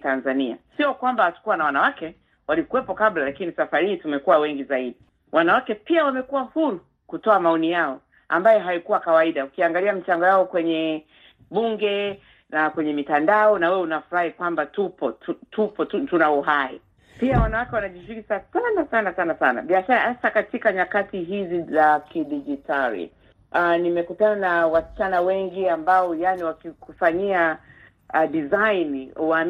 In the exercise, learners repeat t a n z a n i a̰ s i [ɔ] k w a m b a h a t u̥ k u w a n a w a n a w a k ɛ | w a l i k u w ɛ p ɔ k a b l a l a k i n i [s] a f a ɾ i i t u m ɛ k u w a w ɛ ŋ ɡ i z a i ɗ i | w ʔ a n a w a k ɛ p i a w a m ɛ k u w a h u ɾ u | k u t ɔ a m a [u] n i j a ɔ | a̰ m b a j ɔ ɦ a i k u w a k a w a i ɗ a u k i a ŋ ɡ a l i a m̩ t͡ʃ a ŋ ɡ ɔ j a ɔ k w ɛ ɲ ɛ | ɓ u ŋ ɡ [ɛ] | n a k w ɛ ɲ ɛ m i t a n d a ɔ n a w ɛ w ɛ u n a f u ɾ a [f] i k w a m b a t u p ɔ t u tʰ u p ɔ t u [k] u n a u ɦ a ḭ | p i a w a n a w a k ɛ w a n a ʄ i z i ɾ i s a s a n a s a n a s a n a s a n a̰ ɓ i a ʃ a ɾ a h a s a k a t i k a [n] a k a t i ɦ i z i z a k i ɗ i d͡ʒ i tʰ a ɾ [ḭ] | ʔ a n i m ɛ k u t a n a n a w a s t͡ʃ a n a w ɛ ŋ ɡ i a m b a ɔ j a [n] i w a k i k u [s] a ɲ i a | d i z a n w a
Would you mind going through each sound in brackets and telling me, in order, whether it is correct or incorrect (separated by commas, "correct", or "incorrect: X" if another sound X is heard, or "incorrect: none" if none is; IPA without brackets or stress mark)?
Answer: correct, correct, incorrect: ɔ, correct, incorrect: h, incorrect: t, incorrect: ɲ, correct, correct, incorrect: f